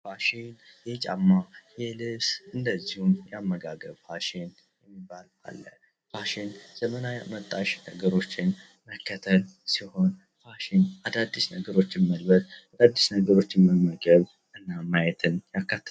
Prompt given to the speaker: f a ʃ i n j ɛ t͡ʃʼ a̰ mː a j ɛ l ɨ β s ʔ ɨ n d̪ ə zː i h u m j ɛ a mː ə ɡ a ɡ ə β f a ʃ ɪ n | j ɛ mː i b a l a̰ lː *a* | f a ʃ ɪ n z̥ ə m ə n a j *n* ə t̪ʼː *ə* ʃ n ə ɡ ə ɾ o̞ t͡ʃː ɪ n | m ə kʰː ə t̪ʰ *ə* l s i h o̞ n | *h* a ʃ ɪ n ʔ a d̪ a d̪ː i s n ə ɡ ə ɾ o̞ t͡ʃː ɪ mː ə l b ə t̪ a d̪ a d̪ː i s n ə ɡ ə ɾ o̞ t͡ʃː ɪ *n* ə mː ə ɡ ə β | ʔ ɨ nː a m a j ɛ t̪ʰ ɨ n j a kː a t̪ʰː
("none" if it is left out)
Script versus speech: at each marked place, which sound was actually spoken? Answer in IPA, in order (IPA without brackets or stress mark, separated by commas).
ə, m, a, ə, f, m